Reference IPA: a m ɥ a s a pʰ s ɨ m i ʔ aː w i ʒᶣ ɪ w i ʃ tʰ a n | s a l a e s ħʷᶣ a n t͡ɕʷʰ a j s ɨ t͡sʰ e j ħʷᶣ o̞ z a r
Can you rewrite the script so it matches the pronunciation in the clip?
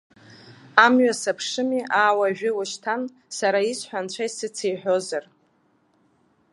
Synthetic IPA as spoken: a m ɥ a s a pʰ ʂ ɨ m i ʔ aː w a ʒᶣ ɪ w a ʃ tʰ a n | s a ɾ a i s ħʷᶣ a n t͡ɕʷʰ a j s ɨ t͡sʰ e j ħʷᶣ o̞ z a r